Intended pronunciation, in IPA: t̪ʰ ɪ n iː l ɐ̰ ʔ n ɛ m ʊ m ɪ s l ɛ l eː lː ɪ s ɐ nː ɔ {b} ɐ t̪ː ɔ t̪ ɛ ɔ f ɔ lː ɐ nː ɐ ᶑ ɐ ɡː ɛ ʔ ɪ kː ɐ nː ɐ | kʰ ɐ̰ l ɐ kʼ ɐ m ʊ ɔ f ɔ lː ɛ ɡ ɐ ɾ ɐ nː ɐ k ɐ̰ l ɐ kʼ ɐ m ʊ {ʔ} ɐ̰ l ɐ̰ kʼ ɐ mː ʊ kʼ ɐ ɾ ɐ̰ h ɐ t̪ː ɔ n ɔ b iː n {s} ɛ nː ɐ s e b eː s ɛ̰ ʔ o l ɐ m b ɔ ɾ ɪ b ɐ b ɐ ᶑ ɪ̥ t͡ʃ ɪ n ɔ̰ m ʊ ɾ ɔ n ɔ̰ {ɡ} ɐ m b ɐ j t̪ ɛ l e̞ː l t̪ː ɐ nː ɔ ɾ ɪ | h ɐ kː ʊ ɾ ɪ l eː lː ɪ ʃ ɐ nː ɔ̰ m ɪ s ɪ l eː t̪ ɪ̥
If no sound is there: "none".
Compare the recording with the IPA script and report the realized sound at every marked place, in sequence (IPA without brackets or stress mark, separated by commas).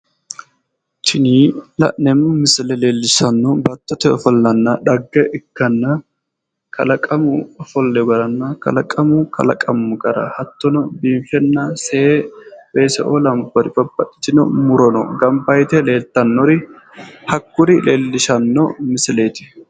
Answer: b, k, f, ɡ